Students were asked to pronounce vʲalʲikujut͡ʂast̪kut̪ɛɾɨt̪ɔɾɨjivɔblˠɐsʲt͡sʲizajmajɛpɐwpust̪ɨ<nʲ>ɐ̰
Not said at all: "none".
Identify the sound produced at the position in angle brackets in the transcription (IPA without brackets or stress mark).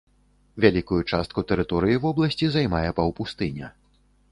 nʲ